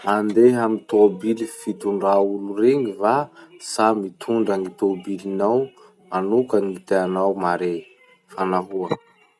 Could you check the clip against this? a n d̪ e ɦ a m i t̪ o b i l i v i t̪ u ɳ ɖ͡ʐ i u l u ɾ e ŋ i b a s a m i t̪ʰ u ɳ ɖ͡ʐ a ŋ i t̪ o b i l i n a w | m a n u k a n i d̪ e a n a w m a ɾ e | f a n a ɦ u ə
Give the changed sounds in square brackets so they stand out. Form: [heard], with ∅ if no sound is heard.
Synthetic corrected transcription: a n d̪ e ɦ a m i t̪ o b i l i [f] i t̪ u ɳ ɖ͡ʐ [a] u l u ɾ e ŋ i [v] a s a m i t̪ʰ u ɳ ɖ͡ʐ a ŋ i t̪ o b i l i n a w | m a n u k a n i [t̪] e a n a w m a ɾ e | f a n a ɦ u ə